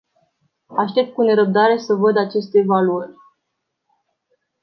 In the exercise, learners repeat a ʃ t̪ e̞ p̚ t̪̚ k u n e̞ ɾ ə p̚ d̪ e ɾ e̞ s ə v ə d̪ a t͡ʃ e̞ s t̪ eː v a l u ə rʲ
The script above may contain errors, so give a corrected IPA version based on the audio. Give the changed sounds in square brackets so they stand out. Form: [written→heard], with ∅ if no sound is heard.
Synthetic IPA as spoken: a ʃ t̪ e̞ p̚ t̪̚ k u n e̞ ɾ ə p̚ d̪ [e→a] ɾ e̞ s ə v ə d̪ a t͡ʃ e̞ s t̪ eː v a l u ə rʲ